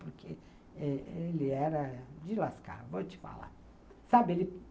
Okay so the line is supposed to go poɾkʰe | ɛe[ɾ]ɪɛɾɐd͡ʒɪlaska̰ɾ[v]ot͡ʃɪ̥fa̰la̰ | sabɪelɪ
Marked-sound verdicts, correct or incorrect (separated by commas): incorrect, correct